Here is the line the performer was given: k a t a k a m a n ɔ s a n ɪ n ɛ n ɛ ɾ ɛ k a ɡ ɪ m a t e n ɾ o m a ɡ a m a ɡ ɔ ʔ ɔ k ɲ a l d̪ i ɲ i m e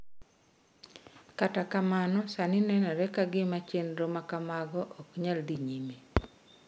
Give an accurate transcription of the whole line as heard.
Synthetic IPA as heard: k a t a k a m a n ɔ s a n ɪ n ɛ n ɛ ɾ ɛ k a ɡ ɪ m a t͡ʃ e n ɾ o m a k a m a ɡ ɔ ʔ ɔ k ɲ a l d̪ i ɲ i m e